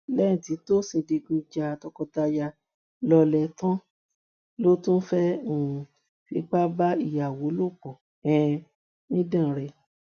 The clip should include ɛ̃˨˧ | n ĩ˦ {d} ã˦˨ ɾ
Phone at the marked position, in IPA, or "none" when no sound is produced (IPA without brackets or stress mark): d